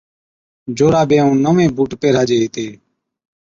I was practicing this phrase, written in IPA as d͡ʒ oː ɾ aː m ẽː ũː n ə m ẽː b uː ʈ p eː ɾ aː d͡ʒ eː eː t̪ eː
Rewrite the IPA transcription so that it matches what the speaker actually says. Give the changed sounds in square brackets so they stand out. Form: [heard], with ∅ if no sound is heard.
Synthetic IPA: d͡ʒ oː ɾ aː [b] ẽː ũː n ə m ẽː b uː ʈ p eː ɾ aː d͡ʒ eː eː t̪ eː